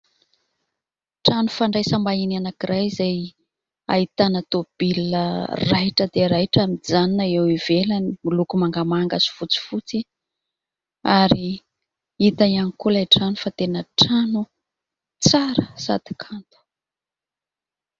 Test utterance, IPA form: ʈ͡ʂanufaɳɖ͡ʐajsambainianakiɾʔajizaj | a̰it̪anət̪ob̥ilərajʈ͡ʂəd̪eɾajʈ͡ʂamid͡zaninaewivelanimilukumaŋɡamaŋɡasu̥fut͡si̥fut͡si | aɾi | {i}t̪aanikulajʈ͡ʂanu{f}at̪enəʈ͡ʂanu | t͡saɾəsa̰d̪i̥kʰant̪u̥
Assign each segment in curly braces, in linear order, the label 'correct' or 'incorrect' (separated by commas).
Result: correct, correct